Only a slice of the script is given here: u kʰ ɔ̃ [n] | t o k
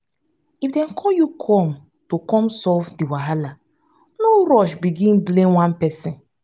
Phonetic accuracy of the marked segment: incorrect: m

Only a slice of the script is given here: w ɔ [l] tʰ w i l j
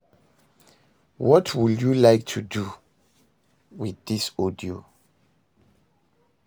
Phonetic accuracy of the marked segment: incorrect: none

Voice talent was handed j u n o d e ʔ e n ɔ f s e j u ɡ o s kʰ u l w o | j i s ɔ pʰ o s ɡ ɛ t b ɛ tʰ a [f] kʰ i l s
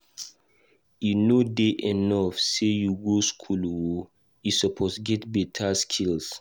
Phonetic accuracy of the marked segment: incorrect: s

